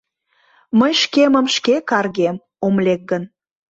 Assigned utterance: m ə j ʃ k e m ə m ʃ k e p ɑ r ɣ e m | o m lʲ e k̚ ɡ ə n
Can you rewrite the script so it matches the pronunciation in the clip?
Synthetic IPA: m ə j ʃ k e m ə m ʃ k e k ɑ r ɣ e m | o m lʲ e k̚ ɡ ə n